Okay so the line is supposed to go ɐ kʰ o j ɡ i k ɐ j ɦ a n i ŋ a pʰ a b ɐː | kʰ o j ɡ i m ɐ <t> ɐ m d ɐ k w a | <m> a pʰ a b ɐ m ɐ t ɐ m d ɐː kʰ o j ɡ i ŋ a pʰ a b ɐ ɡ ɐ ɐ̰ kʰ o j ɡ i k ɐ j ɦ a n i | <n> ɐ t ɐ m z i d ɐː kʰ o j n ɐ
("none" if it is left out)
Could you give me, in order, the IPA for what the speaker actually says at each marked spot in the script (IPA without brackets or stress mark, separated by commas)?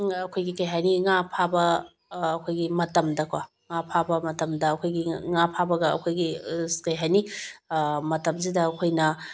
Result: t, ŋ, m